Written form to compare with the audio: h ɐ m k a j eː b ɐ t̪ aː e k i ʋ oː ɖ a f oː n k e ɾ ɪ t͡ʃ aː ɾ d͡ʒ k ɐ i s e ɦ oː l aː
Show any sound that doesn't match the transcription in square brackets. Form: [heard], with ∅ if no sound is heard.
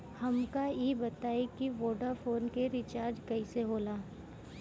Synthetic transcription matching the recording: h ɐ m k a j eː b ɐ t̪ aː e k i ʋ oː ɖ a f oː n k e ɾ ɪ t͡ʃ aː ɾ d͡ʒ k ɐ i s e ɦ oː l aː